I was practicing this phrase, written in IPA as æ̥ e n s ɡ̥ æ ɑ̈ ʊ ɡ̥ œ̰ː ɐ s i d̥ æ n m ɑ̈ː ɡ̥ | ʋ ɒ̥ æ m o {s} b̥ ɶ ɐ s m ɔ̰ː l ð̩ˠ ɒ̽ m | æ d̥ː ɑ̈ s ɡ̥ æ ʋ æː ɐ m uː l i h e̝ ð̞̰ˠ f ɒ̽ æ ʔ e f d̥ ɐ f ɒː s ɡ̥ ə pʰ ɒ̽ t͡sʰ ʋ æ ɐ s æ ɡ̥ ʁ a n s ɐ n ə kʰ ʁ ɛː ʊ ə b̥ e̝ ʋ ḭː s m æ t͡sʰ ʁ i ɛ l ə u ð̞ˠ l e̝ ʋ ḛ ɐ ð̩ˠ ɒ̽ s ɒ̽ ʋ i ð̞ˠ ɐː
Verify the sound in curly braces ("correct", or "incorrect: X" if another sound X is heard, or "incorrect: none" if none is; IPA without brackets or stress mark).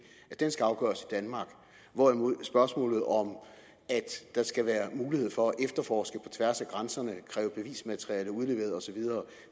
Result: correct